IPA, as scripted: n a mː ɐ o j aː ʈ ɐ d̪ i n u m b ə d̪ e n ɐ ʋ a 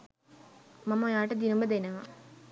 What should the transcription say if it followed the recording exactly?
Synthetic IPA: m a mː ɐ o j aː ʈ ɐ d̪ i n u m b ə d̪ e n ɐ ʋ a